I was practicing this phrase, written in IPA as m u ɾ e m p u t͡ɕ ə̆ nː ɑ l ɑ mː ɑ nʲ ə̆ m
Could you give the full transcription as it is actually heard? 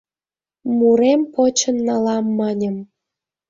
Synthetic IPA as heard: m u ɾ e m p o t͡ɕ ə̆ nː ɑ l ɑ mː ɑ nʲ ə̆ m